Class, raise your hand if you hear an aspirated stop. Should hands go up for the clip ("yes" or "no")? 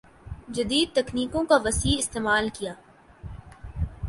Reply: no